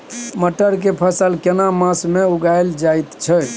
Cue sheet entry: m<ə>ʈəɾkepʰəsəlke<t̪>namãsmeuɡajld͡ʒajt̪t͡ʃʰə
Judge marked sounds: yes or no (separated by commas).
yes, no